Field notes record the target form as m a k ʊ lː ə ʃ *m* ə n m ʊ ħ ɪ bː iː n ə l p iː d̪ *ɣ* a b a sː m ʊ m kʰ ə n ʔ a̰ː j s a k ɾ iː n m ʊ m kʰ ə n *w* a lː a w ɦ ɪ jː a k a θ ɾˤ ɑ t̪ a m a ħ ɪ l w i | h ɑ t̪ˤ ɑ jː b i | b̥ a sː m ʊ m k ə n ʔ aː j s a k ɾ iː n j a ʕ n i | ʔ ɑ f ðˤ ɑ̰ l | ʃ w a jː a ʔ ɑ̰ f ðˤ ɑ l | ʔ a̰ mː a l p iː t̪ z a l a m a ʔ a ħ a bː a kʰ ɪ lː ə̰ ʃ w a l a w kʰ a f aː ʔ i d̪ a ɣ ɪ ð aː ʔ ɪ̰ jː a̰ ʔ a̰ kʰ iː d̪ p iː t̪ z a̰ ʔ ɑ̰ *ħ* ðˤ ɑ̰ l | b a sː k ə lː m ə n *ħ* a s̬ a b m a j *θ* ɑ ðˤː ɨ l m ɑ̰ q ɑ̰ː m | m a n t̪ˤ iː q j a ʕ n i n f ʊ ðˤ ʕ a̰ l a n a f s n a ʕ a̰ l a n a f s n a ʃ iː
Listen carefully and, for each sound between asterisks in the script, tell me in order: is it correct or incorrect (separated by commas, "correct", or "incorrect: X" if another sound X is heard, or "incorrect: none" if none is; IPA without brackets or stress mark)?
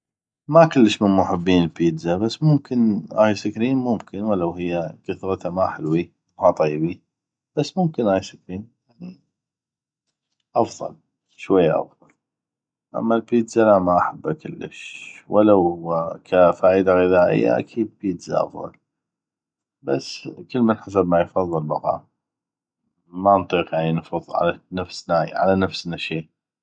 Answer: correct, incorrect: z, correct, incorrect: f, correct, incorrect: f